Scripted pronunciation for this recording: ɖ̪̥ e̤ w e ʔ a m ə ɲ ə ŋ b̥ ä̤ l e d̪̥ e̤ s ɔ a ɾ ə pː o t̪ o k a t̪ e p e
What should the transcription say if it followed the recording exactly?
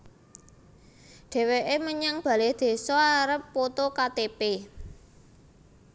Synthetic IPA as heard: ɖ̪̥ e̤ w e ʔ e m ə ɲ a ŋ b̥ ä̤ l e d̪̥ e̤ s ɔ a ɾ ə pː o t̪ o k a t̪ e p e